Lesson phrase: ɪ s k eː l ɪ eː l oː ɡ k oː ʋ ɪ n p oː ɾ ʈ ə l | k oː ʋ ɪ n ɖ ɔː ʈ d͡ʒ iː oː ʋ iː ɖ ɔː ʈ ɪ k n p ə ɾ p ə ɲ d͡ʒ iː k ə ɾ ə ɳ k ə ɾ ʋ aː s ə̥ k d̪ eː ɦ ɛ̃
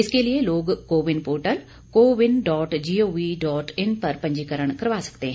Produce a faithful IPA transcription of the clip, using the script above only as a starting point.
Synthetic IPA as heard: ɪ s k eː l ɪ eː l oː ɡ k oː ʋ ɪ n p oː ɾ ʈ ə l | k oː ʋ ɪ n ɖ ɔː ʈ d͡ʒ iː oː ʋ iː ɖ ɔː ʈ ɪ n p ə ɾ p ə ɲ d͡ʒ iː k ə ɾ ə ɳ k ə ɾ ʋ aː s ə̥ k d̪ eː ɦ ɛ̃